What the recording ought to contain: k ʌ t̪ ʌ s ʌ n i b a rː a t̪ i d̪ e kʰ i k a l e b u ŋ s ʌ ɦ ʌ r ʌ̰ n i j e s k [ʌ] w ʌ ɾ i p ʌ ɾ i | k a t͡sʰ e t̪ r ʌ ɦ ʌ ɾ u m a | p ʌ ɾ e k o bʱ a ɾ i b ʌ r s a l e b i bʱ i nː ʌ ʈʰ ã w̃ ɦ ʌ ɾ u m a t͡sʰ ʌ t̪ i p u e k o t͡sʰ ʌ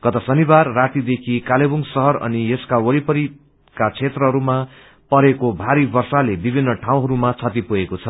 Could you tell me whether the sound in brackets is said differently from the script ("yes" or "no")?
yes